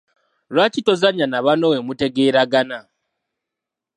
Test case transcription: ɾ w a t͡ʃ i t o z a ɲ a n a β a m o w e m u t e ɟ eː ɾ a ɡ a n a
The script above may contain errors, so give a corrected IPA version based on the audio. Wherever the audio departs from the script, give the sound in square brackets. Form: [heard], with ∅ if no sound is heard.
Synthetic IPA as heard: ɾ w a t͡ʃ i t o z a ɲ a n a β a [n] o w e m u t e [ɡ] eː ɾ a ɡ a n a